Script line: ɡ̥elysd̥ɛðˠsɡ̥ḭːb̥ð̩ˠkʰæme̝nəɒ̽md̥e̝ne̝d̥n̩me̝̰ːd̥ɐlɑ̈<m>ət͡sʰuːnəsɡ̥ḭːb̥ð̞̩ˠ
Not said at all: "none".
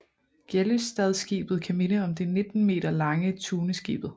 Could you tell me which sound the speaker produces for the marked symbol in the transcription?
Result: ŋ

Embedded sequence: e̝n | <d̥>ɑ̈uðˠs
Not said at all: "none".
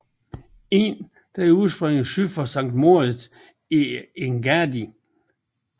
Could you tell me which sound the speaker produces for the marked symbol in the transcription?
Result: d̥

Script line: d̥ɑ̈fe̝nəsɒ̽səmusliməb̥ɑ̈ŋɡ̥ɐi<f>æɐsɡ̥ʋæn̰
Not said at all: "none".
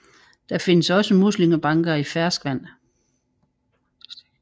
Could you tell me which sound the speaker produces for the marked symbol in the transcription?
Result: f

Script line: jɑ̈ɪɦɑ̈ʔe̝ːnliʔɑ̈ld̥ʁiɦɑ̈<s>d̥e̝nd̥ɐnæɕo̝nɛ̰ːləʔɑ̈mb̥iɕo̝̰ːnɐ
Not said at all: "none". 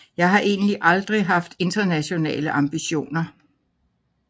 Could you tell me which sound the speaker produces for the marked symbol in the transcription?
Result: f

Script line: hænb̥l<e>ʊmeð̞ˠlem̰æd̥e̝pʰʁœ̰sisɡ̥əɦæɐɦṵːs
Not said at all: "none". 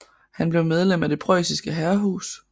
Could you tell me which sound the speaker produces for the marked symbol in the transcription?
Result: e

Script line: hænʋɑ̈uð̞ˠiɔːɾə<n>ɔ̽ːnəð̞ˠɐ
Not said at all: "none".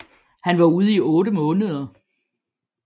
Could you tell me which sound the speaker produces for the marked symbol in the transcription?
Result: m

